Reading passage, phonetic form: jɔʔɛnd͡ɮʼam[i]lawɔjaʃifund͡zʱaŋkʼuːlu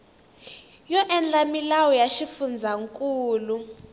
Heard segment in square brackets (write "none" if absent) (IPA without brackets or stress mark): i